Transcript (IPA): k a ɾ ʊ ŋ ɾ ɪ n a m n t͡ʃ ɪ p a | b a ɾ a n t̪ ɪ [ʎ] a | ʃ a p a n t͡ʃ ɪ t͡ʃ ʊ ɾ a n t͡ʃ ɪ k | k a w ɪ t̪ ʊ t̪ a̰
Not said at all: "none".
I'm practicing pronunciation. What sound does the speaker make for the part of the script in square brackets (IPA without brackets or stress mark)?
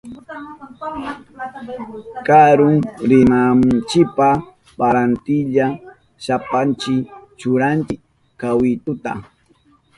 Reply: ʎ